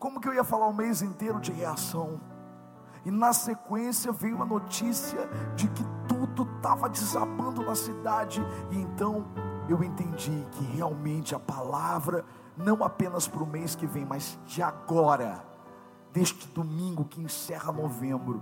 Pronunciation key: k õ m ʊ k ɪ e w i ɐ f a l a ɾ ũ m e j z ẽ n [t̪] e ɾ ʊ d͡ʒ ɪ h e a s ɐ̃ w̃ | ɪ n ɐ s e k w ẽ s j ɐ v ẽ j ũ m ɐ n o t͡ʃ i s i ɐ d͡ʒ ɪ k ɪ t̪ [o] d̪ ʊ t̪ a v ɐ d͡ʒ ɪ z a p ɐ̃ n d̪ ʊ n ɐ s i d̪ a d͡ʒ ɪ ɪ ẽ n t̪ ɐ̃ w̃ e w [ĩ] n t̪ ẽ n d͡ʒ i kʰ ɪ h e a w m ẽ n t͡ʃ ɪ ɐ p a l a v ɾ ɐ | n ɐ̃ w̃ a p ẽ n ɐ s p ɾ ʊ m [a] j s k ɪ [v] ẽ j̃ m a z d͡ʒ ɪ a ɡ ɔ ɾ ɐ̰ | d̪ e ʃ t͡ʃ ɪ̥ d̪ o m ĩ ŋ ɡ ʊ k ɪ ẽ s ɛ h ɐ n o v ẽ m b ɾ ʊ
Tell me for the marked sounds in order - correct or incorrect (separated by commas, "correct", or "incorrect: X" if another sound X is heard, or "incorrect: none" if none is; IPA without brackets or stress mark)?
correct, incorrect: u, incorrect: ẽ, incorrect: e, correct